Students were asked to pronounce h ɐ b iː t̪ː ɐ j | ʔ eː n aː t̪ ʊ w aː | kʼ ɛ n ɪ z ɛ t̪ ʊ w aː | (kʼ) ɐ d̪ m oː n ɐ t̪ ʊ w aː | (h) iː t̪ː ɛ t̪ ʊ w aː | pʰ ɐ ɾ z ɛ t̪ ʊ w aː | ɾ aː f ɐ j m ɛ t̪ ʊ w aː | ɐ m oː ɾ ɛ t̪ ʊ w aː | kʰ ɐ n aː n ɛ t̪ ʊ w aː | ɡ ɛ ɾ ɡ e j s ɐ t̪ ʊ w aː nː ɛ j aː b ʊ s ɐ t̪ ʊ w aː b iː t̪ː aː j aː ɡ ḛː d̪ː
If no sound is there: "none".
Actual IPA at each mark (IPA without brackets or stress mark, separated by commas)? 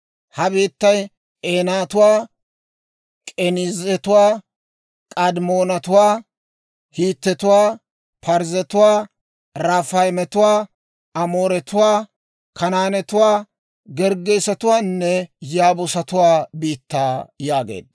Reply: kʼ, h